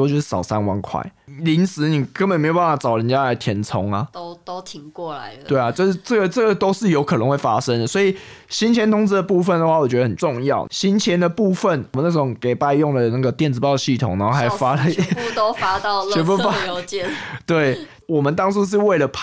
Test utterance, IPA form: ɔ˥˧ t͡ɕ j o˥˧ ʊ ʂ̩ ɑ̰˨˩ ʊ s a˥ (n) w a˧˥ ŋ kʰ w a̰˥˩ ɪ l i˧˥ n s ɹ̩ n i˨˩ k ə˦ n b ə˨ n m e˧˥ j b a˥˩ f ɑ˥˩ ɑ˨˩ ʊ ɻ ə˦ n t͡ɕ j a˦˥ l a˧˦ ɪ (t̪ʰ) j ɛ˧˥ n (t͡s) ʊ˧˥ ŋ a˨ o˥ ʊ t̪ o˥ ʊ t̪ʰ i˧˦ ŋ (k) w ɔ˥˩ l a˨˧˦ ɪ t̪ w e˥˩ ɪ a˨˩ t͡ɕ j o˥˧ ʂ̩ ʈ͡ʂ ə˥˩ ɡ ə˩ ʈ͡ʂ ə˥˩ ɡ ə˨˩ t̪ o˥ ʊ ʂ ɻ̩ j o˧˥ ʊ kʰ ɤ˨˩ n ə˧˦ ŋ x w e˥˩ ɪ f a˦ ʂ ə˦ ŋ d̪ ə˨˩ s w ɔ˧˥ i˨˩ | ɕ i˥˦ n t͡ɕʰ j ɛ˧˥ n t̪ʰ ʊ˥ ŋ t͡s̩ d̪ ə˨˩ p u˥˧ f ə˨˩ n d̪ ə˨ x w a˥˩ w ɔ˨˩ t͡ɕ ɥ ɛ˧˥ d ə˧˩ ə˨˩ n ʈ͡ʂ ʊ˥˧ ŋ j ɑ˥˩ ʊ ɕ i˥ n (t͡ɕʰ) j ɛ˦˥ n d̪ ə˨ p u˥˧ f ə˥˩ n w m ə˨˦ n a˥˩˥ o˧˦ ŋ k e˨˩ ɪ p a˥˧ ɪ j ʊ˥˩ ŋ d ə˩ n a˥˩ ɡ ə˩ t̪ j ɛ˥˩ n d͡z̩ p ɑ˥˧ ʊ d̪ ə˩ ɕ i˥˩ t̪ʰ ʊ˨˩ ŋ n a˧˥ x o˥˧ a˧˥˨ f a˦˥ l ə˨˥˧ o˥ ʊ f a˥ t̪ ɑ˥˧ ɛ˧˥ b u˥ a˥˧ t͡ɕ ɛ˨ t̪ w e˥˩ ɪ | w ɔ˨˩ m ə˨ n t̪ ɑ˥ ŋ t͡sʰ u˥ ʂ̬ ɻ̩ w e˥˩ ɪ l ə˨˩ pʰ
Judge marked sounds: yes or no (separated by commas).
yes, yes, no, yes, yes